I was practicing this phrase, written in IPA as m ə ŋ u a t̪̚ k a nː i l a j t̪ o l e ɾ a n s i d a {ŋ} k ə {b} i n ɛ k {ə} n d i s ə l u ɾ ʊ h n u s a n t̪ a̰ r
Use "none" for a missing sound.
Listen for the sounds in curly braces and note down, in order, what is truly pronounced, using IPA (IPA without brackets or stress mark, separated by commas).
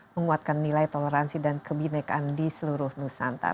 n, b, a